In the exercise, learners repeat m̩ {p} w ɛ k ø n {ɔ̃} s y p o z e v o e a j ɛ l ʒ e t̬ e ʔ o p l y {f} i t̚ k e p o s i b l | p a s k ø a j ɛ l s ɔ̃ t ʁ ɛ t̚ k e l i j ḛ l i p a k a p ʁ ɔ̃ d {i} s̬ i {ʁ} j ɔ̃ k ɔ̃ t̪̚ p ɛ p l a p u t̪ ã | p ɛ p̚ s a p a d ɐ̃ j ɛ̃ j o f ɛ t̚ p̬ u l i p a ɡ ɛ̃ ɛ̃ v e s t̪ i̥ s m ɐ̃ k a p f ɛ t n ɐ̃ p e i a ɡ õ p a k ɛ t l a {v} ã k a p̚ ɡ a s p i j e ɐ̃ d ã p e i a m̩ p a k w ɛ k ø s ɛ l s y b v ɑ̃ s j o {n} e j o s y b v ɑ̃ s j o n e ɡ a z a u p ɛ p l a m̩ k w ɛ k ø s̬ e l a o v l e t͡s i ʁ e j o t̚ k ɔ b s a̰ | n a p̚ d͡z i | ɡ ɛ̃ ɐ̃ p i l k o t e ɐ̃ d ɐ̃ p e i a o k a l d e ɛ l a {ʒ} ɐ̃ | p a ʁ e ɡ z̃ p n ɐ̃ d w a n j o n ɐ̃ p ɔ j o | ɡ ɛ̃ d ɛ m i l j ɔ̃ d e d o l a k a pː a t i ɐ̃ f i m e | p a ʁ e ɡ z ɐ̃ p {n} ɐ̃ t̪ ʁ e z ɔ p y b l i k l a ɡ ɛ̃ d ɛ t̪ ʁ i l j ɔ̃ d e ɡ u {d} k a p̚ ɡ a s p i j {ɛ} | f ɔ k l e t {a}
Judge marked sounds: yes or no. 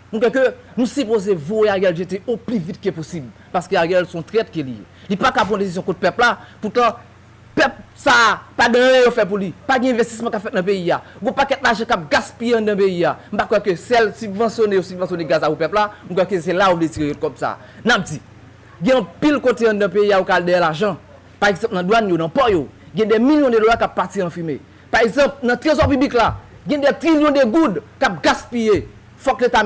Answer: no, no, no, no, no, no, yes, yes, yes, yes, no, yes

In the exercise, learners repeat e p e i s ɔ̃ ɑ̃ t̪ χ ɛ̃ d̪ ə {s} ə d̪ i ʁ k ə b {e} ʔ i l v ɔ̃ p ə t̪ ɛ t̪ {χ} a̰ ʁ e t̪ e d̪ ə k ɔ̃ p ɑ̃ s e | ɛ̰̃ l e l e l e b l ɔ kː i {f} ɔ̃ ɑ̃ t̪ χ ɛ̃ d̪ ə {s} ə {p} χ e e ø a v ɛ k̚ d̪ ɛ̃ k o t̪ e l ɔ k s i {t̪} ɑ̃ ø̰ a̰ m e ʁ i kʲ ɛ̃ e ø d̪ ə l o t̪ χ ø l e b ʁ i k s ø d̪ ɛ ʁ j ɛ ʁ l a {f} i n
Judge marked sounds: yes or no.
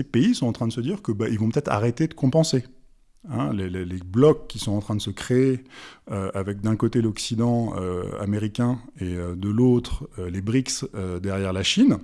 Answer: yes, no, yes, no, yes, no, no, no

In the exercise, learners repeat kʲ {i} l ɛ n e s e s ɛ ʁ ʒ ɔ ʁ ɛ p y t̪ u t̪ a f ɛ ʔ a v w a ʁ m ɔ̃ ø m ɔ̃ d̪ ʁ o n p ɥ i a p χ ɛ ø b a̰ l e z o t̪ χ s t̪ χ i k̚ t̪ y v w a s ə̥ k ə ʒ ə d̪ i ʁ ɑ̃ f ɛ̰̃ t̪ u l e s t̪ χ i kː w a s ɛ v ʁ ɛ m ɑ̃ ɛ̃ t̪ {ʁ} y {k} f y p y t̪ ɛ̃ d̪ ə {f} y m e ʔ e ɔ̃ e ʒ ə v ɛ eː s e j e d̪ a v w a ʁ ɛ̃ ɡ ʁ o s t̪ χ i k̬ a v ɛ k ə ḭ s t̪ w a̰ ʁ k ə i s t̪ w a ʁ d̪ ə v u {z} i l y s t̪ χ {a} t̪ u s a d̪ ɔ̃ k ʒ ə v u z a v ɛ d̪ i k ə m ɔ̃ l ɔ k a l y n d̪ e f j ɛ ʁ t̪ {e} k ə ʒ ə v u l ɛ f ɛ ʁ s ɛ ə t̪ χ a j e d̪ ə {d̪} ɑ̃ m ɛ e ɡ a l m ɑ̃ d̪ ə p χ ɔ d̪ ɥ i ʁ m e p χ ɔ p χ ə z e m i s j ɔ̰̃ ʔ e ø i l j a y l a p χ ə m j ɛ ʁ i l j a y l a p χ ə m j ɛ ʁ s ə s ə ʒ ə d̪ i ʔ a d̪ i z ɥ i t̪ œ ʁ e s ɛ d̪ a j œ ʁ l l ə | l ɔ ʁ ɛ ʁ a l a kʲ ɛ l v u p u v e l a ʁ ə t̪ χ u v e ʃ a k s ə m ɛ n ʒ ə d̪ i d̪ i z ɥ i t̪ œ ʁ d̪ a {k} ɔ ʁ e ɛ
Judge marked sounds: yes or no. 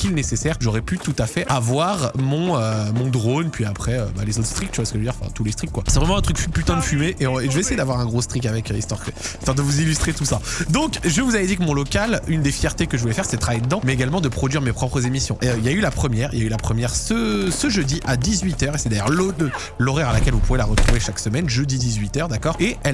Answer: yes, no, yes, yes, yes, no, yes, yes, yes

